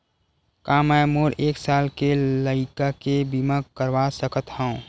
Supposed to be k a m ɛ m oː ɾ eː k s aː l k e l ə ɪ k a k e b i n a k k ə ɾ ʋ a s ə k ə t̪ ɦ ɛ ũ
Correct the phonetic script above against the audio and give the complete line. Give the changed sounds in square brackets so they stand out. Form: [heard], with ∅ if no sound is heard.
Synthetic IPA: k a m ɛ m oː ɾ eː k s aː l k e l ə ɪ k a k e b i [m] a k k ə ɾ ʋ a s ə k ə t̪ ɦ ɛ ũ